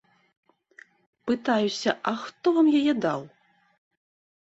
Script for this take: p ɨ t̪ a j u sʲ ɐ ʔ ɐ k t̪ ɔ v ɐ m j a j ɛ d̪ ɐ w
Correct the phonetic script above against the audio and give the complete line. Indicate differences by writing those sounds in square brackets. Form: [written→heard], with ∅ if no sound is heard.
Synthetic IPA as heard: p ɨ t̪ a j u sʲ ɐ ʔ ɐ [k→x] t̪ ɔ v [ɐ→a] m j a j ɛ d̪ [ɐ→a] w